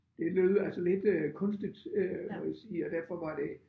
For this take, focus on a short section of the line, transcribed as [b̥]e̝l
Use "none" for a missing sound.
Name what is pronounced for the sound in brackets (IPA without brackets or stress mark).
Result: d̥